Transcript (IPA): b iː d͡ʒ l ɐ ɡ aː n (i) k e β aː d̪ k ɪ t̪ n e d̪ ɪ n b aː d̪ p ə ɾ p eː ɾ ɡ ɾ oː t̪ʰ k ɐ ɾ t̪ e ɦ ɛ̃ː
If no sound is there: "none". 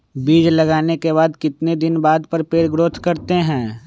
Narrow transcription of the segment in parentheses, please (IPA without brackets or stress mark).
e